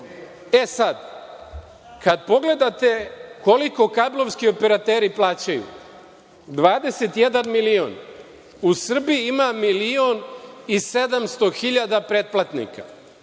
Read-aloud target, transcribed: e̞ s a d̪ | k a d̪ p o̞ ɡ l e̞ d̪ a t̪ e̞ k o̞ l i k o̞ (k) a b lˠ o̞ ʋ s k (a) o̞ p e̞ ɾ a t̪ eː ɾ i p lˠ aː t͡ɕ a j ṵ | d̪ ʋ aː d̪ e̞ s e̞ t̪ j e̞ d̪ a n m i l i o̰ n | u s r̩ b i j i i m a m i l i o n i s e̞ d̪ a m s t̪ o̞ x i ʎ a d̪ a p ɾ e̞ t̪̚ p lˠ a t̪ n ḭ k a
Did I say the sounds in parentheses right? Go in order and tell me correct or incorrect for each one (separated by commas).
correct, incorrect